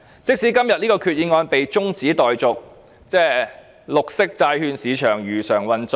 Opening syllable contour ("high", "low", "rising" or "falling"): high